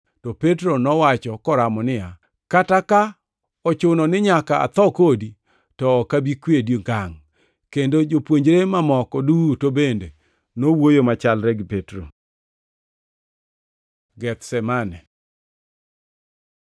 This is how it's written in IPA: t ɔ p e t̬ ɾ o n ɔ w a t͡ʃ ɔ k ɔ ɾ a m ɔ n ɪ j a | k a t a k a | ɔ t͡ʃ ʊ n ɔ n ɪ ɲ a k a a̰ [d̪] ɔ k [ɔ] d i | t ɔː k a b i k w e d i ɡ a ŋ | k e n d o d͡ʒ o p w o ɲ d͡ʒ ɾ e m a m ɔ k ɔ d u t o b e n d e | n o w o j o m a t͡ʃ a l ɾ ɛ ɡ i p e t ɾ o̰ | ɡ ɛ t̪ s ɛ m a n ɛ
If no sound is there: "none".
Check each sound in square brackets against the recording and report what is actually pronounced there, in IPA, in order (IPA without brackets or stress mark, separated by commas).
t̪, o